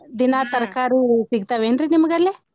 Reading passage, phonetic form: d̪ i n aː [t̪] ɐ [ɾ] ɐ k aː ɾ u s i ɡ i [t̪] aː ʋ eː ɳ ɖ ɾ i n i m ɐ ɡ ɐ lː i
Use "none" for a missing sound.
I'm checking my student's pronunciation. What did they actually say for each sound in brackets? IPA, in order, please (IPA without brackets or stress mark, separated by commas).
t̪, ɾ, t̪